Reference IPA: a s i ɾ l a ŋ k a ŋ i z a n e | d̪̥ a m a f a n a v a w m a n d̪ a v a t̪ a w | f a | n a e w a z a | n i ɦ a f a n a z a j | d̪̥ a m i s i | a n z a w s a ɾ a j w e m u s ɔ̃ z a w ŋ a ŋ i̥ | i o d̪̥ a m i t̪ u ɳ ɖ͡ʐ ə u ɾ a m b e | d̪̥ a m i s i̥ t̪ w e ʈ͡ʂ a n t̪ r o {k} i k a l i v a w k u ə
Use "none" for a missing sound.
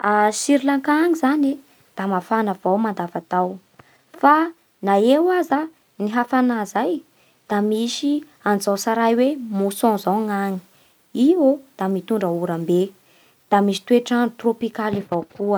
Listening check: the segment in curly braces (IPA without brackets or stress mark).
p